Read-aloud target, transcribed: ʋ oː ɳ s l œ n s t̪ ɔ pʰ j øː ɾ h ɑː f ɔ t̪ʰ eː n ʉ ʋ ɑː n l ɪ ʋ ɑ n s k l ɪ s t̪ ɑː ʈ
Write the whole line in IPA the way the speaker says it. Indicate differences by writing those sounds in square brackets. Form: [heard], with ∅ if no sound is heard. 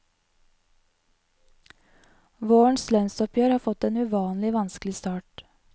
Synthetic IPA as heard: ʋ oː ɳ s l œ n s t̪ ɔ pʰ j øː ɾ h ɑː f ɔ [t̪] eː n ʉ ʋ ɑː n l ɪ ʋ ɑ n s k l ɪ s t̪ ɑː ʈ